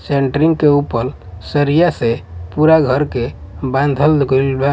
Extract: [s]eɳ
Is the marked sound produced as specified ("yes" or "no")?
yes